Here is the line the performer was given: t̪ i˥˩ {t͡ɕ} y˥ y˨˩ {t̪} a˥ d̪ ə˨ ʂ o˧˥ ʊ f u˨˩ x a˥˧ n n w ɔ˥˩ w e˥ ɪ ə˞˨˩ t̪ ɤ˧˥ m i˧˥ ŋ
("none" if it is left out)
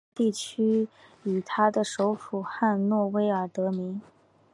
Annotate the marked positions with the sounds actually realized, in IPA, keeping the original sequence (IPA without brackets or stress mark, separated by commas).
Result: t͡ɕʰ, t̪ʰ